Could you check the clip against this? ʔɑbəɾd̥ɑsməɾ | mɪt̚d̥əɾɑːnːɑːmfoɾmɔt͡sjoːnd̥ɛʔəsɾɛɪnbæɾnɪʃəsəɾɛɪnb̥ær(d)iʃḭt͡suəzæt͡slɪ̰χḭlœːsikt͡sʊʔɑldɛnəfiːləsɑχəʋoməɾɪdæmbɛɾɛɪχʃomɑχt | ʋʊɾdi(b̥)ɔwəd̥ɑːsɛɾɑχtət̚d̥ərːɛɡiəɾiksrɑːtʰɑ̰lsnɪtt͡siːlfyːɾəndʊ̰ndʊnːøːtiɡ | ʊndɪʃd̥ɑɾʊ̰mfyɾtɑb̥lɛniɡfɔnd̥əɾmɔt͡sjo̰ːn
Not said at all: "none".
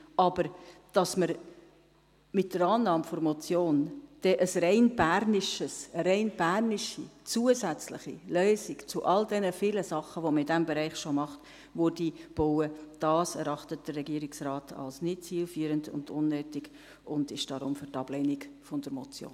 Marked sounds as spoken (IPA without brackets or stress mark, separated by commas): n, b̥